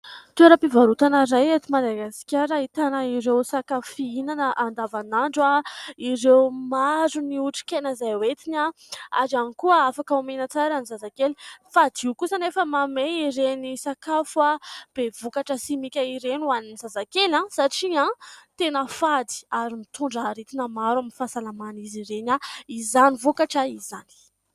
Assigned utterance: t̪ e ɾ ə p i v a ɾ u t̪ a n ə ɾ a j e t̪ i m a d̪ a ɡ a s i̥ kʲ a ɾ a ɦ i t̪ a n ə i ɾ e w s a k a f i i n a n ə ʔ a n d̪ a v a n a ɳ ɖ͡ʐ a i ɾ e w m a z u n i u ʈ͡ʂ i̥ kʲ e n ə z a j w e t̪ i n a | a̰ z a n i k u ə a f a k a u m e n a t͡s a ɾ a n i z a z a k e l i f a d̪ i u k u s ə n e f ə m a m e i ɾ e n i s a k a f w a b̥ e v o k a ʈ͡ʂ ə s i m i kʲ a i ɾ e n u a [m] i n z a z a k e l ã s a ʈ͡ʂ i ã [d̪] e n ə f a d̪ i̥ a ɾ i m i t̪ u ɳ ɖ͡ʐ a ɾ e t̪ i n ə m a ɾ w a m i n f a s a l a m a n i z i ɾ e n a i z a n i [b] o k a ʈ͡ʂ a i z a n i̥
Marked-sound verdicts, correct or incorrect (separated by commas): incorrect, incorrect, incorrect